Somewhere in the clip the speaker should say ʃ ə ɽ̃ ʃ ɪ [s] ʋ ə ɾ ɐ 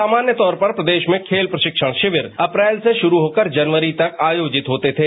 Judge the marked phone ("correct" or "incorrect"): incorrect